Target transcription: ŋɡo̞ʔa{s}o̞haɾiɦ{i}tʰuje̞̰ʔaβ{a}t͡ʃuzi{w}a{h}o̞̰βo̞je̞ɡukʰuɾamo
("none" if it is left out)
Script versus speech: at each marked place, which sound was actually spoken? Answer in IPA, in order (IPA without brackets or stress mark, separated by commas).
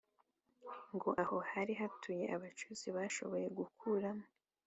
h, a, a, β, ʃ